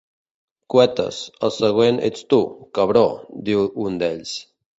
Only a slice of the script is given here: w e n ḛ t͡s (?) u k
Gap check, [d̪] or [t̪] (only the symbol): t̪